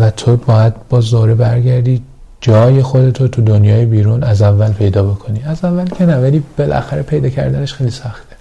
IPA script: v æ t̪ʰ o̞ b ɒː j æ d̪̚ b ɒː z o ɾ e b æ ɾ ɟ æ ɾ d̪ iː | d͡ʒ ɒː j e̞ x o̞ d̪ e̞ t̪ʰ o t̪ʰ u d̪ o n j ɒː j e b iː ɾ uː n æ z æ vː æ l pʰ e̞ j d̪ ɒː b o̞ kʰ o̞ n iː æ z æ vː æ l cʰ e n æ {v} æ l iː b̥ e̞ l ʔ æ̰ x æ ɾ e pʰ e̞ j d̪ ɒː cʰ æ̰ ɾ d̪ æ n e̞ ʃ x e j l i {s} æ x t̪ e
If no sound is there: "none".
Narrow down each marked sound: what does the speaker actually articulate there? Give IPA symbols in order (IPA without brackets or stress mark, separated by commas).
v, s